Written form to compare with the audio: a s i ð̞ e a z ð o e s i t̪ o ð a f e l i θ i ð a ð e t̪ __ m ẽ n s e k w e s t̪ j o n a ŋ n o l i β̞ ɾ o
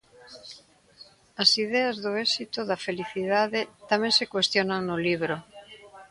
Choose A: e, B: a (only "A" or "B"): B